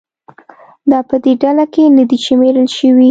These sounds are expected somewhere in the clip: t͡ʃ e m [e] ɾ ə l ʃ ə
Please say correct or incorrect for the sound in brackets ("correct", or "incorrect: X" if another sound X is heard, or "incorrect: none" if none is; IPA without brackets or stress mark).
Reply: correct